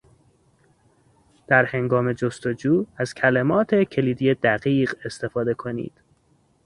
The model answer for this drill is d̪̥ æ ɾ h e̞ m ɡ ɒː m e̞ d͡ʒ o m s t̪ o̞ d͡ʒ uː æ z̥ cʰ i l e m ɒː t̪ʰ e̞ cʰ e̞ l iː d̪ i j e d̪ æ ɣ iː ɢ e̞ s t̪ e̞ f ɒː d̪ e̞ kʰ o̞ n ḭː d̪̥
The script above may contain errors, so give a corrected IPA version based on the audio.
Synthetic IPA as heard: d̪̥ æ ɾ h e̞ ŋ ɡ ɒː m e̞ d͡ʒ o s t̪ o̞ d͡ʒ uː æ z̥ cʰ æ l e m ɒː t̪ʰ e̞ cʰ e̞ l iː d̪ i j e d̪ æ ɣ iː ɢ e̞ s t̪ e̞ f ɒː d̪ e̞ kʰ o̞ n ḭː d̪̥